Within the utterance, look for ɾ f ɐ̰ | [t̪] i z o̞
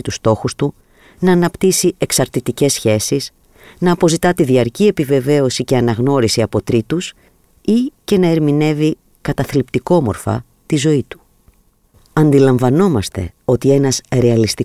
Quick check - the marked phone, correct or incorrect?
correct